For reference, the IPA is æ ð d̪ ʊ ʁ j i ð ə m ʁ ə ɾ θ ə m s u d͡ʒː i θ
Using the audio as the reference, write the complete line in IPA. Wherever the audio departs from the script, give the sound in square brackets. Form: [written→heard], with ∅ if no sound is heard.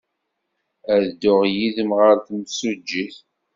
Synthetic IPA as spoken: æ ð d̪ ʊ ʁ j i ð ə m ʁ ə ɾ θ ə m s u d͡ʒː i θ